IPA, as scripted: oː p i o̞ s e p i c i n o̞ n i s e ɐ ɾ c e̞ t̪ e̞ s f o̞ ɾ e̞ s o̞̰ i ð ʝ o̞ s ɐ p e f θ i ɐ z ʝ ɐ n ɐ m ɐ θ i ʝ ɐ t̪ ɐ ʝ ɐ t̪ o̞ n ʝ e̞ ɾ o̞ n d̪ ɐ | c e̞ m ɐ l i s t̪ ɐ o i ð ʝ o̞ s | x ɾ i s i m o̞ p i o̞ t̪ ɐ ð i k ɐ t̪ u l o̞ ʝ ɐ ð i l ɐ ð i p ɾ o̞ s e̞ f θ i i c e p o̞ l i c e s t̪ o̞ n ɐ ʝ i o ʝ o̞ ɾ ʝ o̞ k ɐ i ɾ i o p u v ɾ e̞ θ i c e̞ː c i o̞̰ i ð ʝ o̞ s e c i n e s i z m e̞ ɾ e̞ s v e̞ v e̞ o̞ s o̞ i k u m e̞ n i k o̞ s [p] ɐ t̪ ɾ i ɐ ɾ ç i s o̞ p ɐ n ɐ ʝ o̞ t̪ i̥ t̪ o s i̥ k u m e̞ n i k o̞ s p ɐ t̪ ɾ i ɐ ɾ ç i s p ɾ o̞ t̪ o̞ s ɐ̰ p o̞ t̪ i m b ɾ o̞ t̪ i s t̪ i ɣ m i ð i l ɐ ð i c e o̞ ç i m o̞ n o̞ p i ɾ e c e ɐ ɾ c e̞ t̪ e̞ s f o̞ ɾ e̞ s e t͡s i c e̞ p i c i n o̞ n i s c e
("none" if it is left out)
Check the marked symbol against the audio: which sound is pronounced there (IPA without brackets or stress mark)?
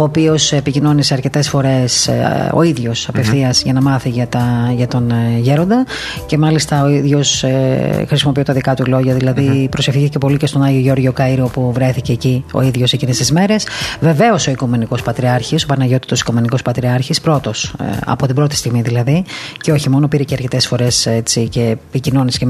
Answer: p